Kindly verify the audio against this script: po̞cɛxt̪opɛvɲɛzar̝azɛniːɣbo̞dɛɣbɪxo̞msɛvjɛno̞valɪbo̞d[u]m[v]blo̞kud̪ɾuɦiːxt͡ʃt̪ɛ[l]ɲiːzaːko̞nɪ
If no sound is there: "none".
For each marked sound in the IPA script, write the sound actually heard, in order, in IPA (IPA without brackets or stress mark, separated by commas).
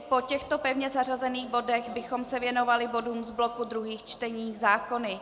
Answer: uː, z, none